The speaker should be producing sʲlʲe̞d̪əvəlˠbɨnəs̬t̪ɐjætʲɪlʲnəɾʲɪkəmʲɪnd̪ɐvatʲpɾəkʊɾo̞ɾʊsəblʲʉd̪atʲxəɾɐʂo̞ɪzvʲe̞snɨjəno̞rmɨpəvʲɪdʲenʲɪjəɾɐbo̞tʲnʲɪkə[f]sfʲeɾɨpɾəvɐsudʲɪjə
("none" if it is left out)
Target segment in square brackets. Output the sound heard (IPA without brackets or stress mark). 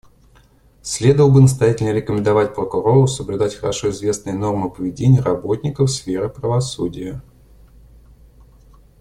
f